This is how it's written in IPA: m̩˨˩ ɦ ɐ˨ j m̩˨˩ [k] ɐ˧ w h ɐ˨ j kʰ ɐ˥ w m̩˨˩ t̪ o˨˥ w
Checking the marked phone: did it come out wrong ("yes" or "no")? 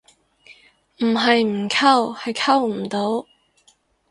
yes